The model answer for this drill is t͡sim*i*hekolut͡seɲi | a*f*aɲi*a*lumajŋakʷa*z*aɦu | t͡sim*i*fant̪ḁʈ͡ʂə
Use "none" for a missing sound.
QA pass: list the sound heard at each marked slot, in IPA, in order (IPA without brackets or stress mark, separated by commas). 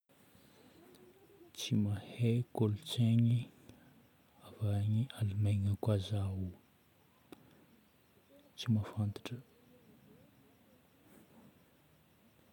a, v, a, z, a